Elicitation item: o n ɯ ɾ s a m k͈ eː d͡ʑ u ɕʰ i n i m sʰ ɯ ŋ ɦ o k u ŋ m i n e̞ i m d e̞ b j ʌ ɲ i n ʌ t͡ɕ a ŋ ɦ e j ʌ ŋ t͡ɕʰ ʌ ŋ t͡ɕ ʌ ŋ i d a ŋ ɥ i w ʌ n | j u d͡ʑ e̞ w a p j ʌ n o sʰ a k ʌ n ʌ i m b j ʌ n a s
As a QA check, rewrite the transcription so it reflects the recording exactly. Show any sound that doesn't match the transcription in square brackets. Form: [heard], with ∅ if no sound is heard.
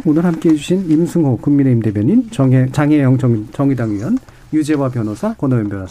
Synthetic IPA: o n ɯ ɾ [h] a m k͈ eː d͡ʑ u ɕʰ i n i m sʰ ɯ ŋ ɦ o k u ŋ m i n e̞ i m d e̞ b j ʌ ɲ i n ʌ t͡ɕ a ŋ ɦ e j ʌ ŋ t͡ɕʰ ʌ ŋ t͡ɕ ʌ ŋ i d a ŋ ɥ i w ʌ n | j u d͡ʑ e̞ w a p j ʌ n o sʰ a k ʌ n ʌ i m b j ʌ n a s